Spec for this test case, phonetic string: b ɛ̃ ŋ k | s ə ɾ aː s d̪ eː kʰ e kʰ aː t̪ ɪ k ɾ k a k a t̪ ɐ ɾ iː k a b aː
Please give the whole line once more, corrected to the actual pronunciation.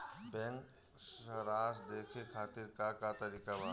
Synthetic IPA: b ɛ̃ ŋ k | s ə ɾ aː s d̪ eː kʰ e kʰ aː t̪ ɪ ɾ k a k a t̪ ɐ ɾ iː k a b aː

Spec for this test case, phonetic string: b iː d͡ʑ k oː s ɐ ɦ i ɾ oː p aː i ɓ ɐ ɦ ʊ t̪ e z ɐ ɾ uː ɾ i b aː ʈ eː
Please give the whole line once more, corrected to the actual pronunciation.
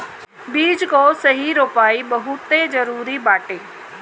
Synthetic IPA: b iː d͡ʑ k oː s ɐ ɦ i ɾ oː p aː i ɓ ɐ ɦ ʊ t̪ e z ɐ ɾ uː ɾ i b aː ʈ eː

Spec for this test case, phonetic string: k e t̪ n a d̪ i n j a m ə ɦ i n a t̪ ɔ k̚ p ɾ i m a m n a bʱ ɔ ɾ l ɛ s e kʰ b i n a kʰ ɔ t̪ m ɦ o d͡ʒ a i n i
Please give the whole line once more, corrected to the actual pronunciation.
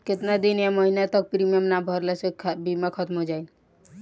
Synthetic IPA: k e t̪ n a d̪ i n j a m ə ɦ i n a t̪ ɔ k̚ p ɾ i m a m n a bʱ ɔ ɾ l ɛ s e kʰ b i m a kʰ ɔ t̪ m ɦ o d͡ʒ a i n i

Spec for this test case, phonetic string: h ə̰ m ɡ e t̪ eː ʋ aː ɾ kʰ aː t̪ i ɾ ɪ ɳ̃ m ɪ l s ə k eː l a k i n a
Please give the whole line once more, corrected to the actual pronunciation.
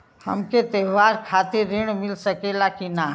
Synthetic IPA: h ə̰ m k e t̪ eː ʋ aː ɾ kʰ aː t̪ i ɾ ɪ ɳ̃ m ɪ l s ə k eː l a k i n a

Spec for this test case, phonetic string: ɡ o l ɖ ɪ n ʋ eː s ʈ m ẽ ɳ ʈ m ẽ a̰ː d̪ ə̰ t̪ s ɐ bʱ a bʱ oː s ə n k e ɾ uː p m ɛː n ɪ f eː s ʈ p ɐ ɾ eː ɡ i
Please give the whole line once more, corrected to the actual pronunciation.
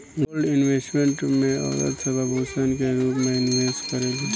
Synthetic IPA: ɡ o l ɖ ɪ n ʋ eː s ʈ m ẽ ɳ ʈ m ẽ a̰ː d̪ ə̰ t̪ s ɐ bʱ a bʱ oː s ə n k e ɾ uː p m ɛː n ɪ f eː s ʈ k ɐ ɾ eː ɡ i

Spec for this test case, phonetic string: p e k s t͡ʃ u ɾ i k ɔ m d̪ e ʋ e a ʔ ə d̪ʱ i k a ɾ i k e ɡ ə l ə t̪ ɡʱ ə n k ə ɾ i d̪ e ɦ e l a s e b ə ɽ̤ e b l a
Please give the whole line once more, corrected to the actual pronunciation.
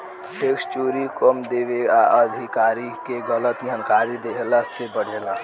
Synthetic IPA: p e k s t͡ʃ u ɾ i k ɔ m d̪ e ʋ e a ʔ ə d̪ʱ i k a ɾ i k e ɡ ə l ə t̪ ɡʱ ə n k a ɾ i d̪ e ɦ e l a s e b ə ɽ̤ e l a

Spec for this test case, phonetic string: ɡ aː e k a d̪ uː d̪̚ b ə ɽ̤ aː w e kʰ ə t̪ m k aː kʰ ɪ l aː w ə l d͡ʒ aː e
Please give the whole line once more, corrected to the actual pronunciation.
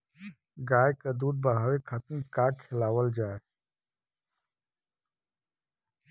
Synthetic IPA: ɡ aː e k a d̪ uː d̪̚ b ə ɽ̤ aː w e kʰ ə t̪ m k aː kʰ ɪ l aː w ə l d͡ʒ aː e

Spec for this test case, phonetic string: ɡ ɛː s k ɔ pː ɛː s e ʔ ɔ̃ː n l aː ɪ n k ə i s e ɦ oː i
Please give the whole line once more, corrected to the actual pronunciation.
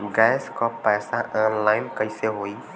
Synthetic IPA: ɡ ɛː s k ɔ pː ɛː s a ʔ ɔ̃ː n l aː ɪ n k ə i s e ɦ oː i

